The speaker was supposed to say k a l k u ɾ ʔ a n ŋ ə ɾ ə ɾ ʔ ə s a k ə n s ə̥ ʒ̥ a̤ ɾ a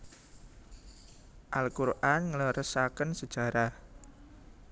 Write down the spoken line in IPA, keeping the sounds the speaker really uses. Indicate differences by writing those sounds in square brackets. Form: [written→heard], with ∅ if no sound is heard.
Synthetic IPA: [k→ʔ] a l k u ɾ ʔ a n ŋ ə [ɾ→l] ə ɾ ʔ ə s a k ə n s ə̥ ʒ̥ a̤ ɾ a